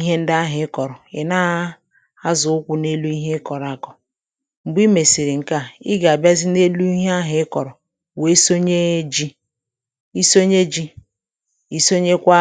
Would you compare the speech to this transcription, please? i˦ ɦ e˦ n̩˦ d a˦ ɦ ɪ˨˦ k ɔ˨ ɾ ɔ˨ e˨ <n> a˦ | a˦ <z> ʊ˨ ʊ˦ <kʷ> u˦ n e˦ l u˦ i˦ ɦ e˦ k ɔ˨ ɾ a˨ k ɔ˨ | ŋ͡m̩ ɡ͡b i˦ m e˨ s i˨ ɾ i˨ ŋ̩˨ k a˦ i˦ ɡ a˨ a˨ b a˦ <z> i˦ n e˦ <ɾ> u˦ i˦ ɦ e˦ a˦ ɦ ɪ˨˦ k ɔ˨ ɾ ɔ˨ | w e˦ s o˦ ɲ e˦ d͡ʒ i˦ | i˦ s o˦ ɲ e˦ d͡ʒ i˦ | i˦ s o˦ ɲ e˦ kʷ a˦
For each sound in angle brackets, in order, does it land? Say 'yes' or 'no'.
yes, yes, yes, yes, no

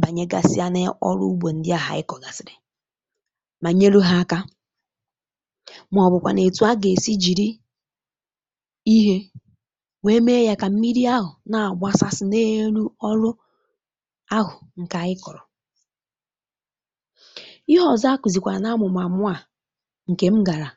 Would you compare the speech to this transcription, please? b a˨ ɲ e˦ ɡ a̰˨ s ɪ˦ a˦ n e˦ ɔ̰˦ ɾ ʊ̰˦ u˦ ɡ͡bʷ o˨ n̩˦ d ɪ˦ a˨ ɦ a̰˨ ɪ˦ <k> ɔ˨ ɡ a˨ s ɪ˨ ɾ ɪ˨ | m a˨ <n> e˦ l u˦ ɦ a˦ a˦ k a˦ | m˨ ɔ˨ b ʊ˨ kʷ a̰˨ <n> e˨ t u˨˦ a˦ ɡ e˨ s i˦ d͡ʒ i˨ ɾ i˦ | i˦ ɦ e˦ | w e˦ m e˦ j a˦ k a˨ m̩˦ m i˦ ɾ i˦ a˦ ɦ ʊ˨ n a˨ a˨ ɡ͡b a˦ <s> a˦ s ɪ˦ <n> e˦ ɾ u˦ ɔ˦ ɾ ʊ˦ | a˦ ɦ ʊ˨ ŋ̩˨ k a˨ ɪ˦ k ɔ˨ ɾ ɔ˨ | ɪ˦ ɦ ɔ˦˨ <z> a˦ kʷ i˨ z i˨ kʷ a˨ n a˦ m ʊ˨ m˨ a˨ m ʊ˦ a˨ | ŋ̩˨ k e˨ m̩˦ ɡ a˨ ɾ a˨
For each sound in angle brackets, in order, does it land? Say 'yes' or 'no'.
yes, no, yes, yes, yes, yes

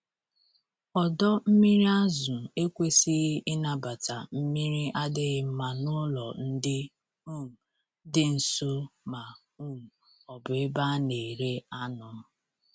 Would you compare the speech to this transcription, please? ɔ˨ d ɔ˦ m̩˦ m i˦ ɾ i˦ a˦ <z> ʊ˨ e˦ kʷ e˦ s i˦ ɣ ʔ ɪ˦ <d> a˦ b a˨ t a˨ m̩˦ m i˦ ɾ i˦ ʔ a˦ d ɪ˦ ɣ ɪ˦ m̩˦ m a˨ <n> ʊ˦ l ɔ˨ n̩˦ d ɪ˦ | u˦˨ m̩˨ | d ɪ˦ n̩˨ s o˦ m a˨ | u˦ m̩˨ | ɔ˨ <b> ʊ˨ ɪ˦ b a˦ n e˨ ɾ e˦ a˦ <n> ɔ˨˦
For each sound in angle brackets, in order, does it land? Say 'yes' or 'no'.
yes, no, yes, yes, yes

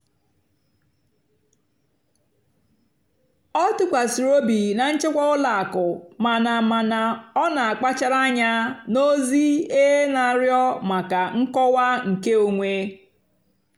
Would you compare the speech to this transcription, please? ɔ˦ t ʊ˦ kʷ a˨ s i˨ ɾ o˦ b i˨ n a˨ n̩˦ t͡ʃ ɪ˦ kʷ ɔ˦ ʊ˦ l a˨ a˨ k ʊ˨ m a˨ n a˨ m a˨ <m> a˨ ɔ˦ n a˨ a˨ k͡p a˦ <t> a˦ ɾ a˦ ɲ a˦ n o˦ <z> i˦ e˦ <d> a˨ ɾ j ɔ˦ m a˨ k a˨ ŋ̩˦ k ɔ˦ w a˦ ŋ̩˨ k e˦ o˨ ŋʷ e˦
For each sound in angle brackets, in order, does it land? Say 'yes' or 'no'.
no, no, yes, no

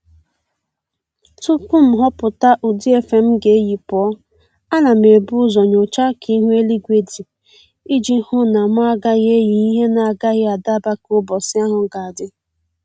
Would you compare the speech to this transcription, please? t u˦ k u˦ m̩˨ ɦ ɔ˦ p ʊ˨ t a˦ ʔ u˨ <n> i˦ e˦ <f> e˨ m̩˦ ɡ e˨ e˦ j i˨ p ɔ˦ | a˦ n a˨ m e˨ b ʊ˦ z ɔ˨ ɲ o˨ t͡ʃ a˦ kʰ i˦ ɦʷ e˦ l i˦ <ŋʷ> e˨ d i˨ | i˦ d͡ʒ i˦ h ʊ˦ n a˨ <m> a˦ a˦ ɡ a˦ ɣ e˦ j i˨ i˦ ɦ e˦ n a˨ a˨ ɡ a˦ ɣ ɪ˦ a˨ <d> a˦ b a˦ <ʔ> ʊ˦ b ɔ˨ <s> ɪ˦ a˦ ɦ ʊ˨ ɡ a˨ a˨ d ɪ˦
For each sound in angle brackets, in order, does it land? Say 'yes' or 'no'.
no, yes, no, yes, yes, no, yes

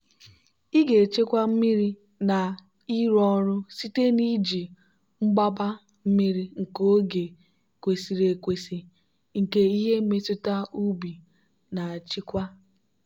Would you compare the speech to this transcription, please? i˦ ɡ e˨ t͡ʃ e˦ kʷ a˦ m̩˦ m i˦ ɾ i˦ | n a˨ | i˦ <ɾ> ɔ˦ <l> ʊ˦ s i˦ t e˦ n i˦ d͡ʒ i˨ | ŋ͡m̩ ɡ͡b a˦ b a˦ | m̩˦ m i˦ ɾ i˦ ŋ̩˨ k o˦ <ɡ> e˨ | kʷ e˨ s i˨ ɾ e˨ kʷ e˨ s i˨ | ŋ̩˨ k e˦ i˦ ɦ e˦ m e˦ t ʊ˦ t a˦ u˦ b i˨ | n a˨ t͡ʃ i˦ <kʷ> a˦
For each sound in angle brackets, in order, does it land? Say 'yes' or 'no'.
yes, no, yes, yes

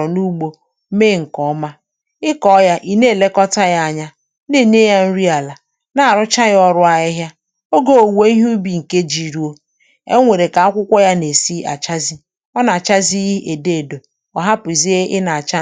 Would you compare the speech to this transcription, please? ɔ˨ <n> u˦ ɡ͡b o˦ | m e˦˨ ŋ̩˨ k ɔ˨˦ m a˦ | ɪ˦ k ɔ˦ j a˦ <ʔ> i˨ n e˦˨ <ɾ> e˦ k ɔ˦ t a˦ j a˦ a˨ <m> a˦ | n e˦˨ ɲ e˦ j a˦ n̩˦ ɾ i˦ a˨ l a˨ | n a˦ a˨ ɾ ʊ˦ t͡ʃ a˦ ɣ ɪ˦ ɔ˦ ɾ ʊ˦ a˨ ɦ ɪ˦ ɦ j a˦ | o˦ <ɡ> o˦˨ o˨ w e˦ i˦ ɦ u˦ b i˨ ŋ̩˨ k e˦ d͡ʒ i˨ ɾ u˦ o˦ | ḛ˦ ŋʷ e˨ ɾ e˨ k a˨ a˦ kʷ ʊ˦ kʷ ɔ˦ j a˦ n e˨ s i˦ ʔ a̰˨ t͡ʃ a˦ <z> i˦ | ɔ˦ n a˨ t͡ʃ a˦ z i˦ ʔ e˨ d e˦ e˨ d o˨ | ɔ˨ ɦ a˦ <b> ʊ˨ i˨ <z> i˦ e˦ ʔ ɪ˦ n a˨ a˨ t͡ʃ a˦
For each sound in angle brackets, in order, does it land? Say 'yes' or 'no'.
yes, yes, no, no, yes, yes, no, yes

